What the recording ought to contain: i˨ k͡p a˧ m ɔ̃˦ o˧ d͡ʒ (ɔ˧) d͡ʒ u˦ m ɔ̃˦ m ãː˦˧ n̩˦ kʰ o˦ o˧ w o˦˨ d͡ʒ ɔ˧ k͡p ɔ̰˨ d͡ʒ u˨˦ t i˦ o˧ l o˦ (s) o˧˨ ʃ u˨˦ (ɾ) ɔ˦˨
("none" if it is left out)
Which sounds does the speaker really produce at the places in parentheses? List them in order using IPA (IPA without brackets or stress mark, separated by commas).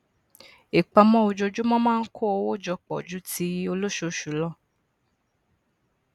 o˧, ʃ, l